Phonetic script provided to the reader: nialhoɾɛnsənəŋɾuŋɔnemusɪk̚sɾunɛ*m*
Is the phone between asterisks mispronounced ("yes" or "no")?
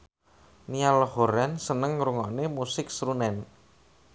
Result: yes